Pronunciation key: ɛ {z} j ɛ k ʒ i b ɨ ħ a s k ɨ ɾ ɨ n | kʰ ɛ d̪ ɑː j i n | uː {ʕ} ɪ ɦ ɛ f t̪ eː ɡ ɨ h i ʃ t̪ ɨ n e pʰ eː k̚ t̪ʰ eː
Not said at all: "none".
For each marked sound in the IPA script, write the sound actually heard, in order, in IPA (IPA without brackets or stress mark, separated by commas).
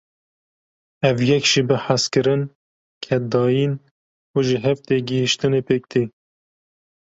v, ʒ